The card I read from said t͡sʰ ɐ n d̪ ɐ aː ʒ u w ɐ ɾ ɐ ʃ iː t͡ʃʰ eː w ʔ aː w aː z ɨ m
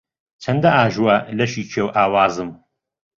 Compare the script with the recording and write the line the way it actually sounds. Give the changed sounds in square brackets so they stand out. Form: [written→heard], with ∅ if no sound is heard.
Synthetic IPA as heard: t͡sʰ ɐ n d̪ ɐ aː ʒ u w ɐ [ɾ→l] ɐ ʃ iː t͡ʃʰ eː w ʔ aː w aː z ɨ m